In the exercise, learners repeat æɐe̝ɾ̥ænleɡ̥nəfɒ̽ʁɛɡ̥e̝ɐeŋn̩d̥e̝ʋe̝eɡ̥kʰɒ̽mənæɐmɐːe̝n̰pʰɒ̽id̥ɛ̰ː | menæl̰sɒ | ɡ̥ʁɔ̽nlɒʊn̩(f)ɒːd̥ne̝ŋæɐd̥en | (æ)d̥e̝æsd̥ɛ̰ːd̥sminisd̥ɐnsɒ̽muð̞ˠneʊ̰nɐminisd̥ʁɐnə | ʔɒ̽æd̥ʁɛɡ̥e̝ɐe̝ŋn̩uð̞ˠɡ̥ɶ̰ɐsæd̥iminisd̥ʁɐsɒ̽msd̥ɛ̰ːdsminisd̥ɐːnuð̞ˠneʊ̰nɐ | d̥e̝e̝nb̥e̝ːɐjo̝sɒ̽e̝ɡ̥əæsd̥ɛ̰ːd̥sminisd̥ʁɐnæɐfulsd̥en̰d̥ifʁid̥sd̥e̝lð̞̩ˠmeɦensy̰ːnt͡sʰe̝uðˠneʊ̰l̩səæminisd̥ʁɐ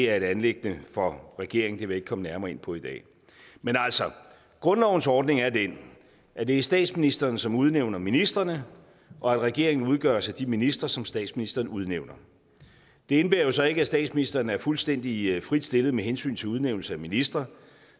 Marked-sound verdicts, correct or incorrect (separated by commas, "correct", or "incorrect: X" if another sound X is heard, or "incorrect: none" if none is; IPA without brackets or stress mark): incorrect: s, correct